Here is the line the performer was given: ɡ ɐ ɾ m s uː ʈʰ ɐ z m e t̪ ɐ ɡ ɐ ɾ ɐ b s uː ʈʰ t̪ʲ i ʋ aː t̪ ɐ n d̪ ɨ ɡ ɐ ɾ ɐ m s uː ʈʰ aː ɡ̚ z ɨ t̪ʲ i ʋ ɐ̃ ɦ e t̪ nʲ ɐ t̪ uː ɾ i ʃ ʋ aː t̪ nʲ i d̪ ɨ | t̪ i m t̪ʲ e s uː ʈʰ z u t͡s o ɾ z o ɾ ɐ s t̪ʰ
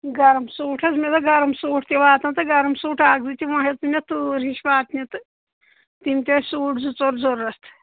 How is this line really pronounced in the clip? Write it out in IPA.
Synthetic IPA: ɡ ɐ ɾ m s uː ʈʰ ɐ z m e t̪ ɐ ɡ ɐ ɾ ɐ m s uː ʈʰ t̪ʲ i ʋ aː t̪ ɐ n t̪ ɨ ɡ ɐ ɾ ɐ m s uː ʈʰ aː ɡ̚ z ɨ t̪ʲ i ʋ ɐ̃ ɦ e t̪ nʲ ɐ t̪ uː ɾ i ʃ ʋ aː t̪ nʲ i t̪ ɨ | t̪ i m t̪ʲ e s uː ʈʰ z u t͡s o ɾ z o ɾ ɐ s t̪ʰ